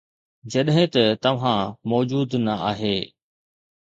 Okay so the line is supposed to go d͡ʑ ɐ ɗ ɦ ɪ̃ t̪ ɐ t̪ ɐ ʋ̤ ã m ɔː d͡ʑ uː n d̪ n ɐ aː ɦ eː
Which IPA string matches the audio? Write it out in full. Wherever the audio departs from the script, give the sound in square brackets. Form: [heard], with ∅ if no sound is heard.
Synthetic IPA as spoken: d͡ʑ ɐ ɗ ɦ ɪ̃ t̪ ɐ t̪ ɐ ʋ̤ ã m ɔː d͡ʑ uː [∅] d̪ n ɐ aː ɦ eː

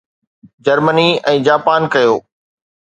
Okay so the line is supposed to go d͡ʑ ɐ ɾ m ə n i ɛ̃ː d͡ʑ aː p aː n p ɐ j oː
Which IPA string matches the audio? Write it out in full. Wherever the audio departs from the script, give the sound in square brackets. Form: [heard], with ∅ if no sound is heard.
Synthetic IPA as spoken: d͡ʑ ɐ ɾ m ə n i ɛ̃ː d͡ʑ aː p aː n [k] ɐ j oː

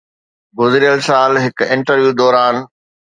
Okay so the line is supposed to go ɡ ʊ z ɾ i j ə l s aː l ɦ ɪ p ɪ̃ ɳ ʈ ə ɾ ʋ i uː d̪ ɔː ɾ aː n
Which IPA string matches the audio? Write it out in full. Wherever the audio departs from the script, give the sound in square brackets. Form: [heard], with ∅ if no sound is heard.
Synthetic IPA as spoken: ɡ ʊ z ɾ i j ə l s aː l ɦ ɪ [k] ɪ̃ ɳ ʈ ə ɾ ʋ [j] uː d̪ ɔː ɾ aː n

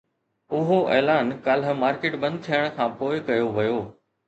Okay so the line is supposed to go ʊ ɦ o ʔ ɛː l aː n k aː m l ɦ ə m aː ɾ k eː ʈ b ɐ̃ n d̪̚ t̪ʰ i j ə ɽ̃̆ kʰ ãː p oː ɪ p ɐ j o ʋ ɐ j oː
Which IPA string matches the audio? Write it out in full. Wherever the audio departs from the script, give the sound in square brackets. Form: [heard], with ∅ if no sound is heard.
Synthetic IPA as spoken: ʊ ɦ o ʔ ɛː l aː n k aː [∅] l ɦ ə m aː ɾ k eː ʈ b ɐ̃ n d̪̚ t̪ʰ i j ə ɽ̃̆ kʰ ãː p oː ɪ [k] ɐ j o ʋ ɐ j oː

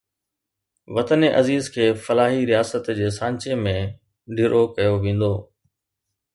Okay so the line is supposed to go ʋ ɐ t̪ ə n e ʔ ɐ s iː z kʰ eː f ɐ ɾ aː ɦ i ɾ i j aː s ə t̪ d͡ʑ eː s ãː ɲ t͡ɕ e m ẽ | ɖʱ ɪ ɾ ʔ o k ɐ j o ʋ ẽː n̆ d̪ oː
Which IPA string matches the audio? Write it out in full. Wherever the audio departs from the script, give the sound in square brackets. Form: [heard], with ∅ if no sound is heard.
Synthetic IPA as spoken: ʋ ɐ t̪ ə n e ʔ ɐ [z] iː z kʰ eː f ɐ [l] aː ɦ i ɾ i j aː s ə t̪ d͡ʑ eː s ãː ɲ t͡ɕ e m ẽ | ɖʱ ɪ ɾ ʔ o k ɐ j o ʋ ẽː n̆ d̪ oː

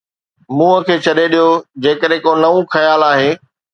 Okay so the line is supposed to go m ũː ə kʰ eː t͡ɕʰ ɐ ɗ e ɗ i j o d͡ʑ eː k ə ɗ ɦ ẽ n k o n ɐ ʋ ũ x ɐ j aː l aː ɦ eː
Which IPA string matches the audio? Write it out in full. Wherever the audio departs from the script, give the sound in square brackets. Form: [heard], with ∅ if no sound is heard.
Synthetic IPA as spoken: m ũː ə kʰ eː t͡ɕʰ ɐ ɗ e ɗ i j o d͡ʑ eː k ə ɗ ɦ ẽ [∅] k o n ɐ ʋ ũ x ɐ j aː l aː ɦ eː

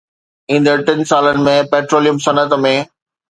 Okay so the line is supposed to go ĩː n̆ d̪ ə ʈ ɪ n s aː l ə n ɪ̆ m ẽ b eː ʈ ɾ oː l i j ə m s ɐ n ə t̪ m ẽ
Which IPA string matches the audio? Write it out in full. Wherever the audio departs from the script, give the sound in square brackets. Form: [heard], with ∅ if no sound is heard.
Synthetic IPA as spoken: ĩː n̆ d̪ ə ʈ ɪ n s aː l ə n ɪ̆ m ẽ [p] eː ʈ ɾ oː l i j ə m s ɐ n ə t̪ m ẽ

